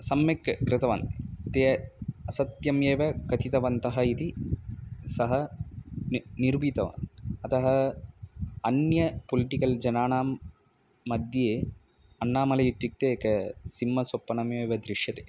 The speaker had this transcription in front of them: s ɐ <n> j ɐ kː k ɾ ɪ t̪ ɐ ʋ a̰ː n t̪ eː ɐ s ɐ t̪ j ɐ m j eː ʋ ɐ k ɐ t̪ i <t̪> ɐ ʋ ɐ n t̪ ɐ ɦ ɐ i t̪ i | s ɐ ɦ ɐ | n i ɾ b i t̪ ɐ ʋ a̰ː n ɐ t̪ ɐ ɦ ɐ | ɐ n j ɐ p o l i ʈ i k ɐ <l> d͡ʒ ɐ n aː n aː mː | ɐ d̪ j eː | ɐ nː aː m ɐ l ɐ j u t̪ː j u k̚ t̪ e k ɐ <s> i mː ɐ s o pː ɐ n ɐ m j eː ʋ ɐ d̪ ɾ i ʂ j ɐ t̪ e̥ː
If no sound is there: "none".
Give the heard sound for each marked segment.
m, t̪, l, s

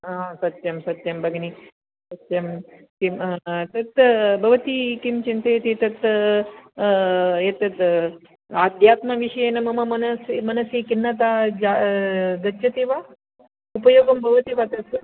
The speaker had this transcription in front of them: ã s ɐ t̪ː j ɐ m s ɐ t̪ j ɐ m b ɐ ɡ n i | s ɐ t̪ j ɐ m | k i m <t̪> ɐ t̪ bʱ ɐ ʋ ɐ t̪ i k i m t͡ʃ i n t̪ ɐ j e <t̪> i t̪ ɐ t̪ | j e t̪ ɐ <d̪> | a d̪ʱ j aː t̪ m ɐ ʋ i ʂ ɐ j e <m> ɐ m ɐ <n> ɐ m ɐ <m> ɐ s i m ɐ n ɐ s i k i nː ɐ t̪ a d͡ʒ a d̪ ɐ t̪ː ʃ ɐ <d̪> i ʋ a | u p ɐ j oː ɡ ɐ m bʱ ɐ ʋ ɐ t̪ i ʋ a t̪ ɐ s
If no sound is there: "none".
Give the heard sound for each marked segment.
t̪, t̪, t̪, n, m, n, t̪

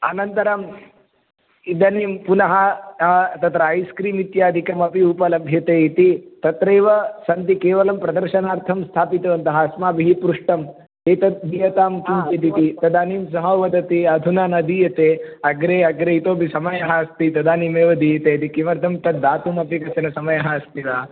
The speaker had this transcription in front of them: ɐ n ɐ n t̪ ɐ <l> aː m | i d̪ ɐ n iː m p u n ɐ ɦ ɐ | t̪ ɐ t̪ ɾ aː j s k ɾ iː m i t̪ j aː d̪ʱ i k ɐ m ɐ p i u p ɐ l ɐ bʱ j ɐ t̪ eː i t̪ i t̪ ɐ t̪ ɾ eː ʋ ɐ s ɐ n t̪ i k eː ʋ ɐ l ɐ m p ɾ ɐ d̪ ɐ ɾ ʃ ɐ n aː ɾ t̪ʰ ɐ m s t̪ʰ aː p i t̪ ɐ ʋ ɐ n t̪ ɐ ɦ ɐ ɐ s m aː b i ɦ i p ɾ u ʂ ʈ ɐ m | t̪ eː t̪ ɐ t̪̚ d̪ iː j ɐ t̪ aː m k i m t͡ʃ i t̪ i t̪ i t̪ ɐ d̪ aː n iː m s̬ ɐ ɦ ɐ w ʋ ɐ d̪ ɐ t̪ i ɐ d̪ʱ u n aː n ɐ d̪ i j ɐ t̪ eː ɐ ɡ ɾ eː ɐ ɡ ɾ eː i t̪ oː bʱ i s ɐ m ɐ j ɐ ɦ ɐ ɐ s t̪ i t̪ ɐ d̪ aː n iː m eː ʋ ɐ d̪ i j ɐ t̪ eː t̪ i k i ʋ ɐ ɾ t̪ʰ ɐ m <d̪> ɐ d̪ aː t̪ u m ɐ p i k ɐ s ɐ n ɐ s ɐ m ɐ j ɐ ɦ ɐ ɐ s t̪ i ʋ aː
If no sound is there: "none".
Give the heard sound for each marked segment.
ɾ, t̪

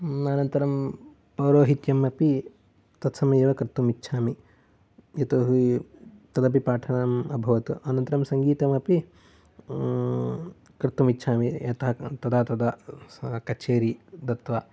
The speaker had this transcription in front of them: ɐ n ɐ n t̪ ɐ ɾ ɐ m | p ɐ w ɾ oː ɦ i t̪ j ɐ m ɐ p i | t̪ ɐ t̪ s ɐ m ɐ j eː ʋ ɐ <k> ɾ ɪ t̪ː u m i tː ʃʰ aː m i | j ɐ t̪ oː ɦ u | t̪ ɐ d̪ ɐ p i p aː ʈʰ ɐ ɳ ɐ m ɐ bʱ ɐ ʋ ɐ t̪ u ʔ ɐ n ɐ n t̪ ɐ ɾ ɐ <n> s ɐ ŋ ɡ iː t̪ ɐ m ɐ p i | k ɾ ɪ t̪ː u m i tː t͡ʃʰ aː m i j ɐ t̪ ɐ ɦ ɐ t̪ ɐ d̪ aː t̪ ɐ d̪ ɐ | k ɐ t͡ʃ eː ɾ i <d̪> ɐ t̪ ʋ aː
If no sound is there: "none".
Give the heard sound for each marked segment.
k, m, d̪

